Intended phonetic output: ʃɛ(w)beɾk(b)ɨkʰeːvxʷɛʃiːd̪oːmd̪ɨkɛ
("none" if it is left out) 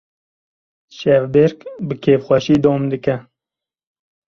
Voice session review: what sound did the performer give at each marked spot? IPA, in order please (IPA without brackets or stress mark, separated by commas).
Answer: v, b